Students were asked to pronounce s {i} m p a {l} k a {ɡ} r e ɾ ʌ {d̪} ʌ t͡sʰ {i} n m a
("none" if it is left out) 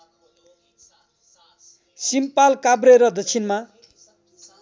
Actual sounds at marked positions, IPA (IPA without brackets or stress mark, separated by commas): i, l, b, d̪, i